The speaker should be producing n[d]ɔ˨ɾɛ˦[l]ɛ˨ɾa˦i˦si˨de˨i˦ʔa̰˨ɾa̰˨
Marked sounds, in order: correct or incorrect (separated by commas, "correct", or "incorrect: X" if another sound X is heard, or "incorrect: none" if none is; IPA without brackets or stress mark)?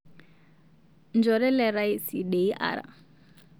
incorrect: d͡ʒ, correct